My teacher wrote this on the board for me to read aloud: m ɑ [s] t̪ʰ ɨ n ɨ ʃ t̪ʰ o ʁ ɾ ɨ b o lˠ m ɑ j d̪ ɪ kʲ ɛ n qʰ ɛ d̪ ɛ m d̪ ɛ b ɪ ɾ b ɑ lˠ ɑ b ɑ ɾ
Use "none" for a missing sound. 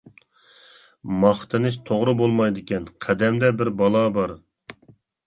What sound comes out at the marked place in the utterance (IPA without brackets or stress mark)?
χ